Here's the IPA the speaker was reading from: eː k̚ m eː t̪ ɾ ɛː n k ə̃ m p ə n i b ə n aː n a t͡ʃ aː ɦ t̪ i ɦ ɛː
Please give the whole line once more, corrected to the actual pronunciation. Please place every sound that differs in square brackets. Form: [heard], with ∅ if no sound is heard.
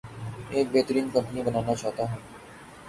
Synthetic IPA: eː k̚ [b] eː t̪ ɾ [iː] n k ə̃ m p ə n i b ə n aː n a t͡ʃ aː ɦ t̪ [a] ɦ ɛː